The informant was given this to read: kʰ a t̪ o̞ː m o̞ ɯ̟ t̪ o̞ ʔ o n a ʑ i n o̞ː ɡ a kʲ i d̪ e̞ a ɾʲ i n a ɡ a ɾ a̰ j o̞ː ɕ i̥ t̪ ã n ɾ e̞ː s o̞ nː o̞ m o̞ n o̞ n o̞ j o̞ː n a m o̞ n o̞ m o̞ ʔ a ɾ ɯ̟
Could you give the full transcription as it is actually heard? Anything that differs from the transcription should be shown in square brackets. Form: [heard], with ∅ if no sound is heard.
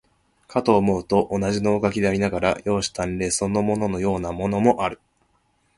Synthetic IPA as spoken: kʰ a t̪ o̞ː m o̞ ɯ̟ t̪ o̞ ʔ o n a ʑ i n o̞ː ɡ a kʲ i d̪ e̞ a ɾʲ i n a ɡ a ɾ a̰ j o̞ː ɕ i̥ t̪ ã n ɾ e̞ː s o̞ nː o̞ m o̞ n o̞ n o̞ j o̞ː n a m o̞ n o̞ m o̞ ʔ a ɾ ɯ̟